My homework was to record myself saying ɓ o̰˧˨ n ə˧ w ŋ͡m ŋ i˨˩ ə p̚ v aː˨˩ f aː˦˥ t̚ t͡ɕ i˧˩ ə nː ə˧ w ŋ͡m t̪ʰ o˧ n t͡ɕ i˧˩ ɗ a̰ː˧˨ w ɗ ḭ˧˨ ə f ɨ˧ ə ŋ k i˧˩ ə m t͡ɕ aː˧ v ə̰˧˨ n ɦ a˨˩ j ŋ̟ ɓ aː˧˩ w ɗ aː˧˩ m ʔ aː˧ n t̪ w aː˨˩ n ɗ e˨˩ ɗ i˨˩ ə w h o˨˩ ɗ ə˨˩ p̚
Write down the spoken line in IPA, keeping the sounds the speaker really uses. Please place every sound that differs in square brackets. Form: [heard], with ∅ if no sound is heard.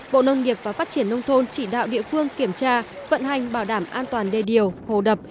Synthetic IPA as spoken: ɓ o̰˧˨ n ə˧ w ŋ͡m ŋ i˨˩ ə p̚ v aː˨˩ f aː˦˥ t̚ t͡ɕ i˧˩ ə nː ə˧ w ŋ͡m t̪ʰ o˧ n t͡ɕ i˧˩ ɗ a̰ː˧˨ w ɗ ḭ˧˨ ə f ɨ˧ ə ŋ k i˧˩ ə m t͡ɕ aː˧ v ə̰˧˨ n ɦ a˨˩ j ŋ̟ ɓ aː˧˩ w ɗ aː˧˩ m ʔ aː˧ n t̪ w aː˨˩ n ɗ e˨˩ ɗ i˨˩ ə w h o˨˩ ɗ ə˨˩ p̚